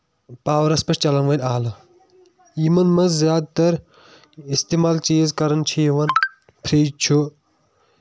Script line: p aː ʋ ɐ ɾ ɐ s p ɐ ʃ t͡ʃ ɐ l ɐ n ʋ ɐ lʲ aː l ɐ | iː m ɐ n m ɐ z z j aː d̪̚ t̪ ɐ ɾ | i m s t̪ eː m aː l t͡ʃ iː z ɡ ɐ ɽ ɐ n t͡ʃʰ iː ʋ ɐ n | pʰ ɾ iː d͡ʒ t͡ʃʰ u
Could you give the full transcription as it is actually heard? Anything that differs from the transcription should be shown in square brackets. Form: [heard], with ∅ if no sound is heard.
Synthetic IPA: p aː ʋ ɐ ɾ ɐ s p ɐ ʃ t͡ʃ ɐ l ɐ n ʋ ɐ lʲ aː l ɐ | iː m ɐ n m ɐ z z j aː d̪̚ t̪ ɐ ɾ | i [∅] s t̪ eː m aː l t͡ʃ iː z [k] ɐ [ɾ] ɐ n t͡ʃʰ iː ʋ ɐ n | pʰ ɾ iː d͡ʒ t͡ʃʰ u